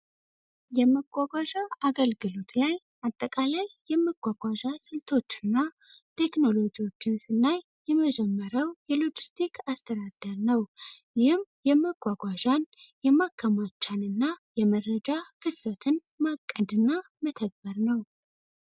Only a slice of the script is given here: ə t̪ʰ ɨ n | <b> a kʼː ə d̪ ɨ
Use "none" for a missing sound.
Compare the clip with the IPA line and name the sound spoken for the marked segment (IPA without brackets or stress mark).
m